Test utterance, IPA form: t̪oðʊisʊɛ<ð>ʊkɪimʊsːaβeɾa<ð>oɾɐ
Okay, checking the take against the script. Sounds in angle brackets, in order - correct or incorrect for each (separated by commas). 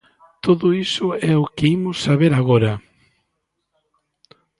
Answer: incorrect, incorrect